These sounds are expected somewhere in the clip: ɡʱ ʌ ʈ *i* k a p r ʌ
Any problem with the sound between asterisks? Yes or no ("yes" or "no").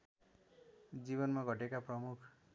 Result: yes